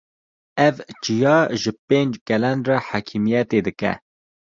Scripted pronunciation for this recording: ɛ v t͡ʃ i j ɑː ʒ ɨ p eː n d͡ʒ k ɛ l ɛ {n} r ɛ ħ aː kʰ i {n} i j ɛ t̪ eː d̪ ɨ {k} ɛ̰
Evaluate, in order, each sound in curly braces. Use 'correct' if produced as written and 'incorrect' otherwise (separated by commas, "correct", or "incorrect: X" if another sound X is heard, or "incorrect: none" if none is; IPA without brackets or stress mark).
correct, incorrect: m, correct